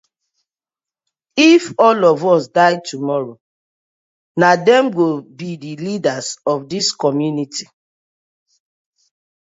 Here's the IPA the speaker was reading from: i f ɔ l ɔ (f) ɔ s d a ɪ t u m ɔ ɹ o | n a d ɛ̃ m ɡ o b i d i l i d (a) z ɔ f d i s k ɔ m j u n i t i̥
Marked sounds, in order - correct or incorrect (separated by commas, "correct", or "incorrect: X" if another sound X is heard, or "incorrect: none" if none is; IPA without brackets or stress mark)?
incorrect: v, correct